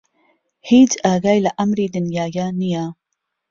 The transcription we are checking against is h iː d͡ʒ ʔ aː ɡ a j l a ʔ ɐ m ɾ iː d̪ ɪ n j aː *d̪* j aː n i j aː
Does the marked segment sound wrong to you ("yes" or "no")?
yes